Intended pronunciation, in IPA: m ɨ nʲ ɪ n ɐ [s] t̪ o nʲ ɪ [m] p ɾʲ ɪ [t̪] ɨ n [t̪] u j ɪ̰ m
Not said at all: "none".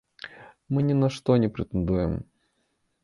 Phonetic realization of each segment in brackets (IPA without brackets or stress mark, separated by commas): ʂ, none, t̪, d̪